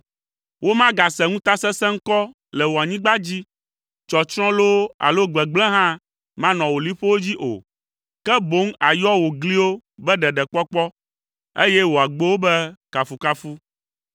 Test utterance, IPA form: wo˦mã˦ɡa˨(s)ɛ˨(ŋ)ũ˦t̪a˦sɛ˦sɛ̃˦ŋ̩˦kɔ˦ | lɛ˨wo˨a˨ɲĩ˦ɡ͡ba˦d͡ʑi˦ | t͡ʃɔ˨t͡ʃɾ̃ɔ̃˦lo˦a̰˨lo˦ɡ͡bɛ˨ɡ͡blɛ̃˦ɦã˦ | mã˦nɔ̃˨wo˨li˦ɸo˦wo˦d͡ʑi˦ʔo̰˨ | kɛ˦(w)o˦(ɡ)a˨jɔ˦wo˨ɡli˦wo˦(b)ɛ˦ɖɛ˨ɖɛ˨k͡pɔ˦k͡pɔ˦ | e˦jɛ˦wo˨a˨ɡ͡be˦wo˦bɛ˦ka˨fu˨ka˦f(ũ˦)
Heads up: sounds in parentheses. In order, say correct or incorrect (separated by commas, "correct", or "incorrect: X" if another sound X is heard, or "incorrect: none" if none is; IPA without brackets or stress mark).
correct, correct, incorrect: b, incorrect: ŋ, correct, incorrect: u˦